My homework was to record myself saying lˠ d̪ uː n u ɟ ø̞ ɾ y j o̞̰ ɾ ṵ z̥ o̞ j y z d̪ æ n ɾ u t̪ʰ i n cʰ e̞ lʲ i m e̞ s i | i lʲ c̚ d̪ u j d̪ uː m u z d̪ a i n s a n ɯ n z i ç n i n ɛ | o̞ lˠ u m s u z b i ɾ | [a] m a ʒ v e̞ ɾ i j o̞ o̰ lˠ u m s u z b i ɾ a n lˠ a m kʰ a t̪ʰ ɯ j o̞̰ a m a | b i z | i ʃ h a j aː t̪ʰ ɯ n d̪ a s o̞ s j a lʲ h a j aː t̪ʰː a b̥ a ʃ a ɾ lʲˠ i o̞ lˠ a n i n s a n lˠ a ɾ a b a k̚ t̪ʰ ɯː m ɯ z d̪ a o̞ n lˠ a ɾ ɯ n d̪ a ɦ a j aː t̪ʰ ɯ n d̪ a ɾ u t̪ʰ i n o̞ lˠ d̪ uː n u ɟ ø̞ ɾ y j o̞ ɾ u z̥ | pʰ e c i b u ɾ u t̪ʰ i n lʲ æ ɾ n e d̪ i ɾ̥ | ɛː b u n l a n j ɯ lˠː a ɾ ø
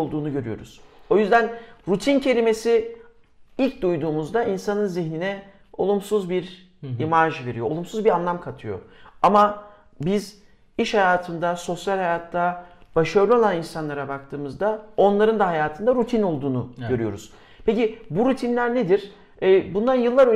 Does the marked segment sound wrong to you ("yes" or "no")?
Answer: yes